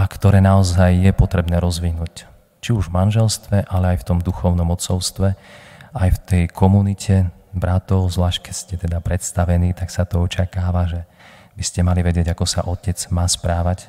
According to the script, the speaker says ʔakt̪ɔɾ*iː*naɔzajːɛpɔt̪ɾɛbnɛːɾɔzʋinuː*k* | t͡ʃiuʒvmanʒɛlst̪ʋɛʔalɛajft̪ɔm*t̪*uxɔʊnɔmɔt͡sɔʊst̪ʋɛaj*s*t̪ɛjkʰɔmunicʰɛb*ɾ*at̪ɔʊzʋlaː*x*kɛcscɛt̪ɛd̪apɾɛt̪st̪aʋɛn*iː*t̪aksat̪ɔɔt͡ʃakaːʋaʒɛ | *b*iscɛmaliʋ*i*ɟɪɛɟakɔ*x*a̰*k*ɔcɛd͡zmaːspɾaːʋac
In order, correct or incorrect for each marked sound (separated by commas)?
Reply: incorrect, incorrect, incorrect, incorrect, correct, incorrect, correct, correct, incorrect, incorrect, incorrect